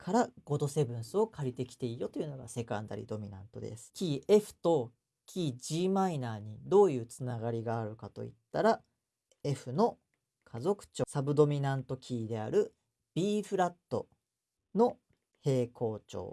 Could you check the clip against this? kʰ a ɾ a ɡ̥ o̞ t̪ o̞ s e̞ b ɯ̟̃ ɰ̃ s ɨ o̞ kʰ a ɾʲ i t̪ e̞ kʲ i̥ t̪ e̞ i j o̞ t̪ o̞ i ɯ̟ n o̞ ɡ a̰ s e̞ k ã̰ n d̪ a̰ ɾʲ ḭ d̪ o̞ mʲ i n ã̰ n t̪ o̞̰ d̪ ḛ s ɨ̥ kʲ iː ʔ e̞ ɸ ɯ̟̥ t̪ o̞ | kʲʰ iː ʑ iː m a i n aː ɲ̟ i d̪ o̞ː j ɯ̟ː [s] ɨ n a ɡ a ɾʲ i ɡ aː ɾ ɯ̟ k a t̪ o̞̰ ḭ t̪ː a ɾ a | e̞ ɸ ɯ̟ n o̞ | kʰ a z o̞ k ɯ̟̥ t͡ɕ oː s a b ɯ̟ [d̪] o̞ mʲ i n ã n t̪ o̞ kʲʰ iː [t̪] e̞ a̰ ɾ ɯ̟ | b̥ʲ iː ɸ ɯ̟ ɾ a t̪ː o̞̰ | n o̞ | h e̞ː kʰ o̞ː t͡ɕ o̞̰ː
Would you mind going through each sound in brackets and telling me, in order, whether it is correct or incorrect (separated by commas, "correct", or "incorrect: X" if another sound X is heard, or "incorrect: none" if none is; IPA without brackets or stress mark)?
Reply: incorrect: t͡s, correct, incorrect: d̪